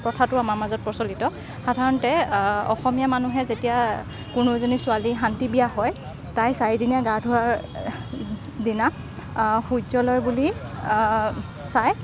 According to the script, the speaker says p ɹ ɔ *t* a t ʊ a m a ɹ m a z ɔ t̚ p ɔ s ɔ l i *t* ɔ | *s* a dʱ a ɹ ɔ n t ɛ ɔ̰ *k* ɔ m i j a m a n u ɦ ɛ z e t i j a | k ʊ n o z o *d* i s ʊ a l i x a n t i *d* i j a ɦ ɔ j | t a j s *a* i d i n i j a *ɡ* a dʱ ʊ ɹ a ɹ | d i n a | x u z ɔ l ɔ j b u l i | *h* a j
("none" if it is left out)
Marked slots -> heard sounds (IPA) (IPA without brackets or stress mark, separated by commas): tʰ, t, x, x, n, b, a, ɡ, s